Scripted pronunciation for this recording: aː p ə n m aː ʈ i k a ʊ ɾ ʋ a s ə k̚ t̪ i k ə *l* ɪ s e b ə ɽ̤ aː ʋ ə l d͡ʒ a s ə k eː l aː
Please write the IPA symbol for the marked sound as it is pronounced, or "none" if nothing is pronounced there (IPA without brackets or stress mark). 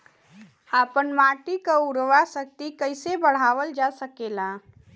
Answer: none